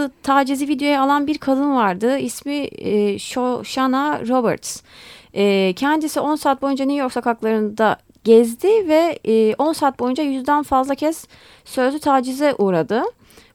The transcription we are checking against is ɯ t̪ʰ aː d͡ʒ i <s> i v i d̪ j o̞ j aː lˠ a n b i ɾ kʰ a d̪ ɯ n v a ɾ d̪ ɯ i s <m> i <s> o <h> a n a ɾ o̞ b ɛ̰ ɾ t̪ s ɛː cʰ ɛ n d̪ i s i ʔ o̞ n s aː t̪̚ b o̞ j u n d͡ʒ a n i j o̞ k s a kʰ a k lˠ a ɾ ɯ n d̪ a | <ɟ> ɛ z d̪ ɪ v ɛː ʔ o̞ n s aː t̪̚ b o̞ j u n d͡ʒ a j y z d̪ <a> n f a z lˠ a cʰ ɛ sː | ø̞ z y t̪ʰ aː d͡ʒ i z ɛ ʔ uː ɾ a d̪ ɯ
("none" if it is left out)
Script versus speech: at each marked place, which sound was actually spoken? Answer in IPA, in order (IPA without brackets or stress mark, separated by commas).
z, m, ʃ, ʃ, ɟ, æ